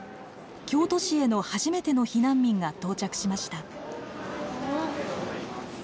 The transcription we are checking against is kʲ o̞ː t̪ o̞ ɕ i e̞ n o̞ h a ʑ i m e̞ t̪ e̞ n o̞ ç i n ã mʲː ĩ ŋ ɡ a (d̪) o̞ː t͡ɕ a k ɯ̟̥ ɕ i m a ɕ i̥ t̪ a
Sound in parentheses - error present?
yes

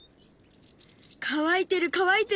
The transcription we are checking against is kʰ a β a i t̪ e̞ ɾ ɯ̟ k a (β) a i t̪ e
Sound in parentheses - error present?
no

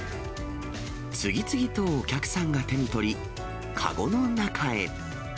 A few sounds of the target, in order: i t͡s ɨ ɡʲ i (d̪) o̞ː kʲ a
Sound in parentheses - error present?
yes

